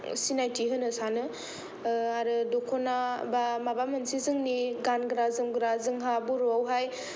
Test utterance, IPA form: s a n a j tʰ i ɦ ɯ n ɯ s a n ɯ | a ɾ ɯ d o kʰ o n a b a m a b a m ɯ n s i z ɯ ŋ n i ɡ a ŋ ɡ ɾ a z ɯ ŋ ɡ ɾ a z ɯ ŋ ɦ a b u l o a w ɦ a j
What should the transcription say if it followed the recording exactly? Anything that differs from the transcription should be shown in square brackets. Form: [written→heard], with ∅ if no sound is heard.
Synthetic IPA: s [a→i] n a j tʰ i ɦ ɯ n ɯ s a n ɯ | a ɾ ɯ d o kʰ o n a b a m a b a m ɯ n s i z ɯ ŋ n i ɡ a [ŋ→n] ɡ ɾ a z ɯ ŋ ɡ ɾ a z ɯ ŋ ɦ a b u [l→ɾ] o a w ɦ a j